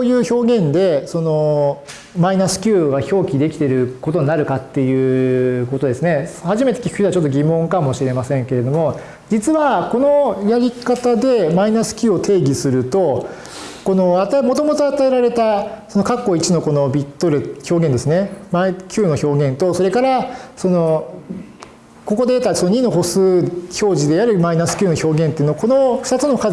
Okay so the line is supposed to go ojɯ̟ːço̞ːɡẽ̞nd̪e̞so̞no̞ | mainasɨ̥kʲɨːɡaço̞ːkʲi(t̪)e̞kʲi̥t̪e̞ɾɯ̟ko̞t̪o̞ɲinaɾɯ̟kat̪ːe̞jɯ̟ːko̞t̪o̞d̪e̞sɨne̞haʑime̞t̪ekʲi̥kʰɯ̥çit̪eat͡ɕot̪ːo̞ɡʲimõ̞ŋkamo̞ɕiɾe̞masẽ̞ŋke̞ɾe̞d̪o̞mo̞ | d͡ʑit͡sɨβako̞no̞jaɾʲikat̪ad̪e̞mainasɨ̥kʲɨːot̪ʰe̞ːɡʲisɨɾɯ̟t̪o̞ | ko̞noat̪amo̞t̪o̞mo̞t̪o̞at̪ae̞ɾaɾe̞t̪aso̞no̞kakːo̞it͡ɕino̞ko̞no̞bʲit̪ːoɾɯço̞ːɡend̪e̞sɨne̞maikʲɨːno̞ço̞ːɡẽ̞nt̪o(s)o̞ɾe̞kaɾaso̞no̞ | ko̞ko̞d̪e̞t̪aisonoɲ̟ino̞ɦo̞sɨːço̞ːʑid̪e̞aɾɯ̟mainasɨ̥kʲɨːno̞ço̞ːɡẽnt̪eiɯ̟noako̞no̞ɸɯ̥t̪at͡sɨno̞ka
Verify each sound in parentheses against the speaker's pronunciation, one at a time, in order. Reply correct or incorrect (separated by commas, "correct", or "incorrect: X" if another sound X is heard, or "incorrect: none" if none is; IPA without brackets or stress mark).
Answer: incorrect: d̪, correct